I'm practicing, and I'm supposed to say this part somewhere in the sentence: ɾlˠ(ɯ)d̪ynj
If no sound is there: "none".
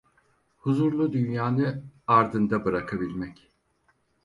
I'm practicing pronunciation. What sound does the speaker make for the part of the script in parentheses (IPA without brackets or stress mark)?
u